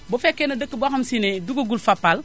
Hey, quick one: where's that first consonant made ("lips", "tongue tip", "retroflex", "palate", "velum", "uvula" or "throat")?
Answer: lips